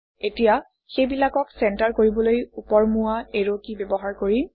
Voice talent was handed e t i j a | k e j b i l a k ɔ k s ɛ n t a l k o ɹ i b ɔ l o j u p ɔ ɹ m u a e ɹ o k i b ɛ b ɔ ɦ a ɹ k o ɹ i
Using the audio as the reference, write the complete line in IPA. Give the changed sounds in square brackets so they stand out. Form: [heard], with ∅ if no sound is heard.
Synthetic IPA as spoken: e t i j a | [x] e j b i l a k ɔ k s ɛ n t a [ɹ] k o ɹ i b ɔ l o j u p ɔ ɹ m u a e ɹ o k i b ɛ b ɔ ɦ a ɹ k o ɹ i